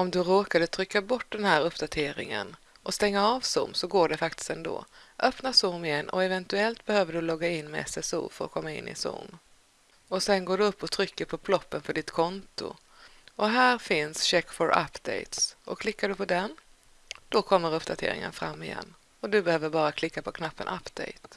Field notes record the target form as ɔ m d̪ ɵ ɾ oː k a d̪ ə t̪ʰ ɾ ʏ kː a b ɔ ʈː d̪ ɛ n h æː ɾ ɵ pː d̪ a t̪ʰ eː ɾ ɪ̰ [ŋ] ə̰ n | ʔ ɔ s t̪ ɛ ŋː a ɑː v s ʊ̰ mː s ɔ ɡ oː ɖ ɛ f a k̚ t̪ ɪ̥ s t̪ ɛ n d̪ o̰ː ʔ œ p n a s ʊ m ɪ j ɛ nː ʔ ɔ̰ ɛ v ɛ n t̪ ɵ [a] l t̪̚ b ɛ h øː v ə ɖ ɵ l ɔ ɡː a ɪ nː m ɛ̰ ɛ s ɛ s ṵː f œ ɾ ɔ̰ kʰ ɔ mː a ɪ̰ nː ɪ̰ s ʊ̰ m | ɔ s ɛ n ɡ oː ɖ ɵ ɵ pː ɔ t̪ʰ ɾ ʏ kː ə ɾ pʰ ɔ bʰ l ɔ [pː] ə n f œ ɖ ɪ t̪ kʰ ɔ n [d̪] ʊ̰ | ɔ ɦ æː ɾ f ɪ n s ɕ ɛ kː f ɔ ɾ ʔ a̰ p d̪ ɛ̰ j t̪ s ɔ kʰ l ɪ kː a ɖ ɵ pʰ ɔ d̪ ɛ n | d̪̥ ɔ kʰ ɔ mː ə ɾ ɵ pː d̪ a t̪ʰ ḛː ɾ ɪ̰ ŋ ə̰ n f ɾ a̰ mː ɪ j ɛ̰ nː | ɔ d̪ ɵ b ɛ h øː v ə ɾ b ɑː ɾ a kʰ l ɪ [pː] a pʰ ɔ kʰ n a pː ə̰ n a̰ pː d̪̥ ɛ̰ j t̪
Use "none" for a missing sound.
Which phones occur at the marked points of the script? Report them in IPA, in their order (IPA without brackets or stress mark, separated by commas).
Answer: ŋ, ɛ, pː, t̪, kː